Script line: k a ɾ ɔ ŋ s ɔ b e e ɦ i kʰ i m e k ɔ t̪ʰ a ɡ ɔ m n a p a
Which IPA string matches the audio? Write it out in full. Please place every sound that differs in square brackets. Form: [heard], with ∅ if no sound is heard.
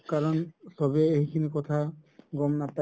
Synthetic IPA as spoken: k a ɾ ɔ [n] s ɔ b e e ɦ i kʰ i [n] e k ɔ t̪ʰ a ɡ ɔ m n a p a